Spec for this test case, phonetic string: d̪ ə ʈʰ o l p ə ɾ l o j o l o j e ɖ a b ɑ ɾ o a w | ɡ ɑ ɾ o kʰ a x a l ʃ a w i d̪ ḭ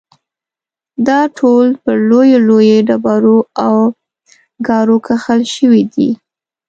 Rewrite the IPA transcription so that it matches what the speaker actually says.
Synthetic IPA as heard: d̪ ɑ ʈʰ o l p ə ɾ l o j o l o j e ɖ a b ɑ ɾ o a w | ɡ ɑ ɾ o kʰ a x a l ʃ ə w i d̪ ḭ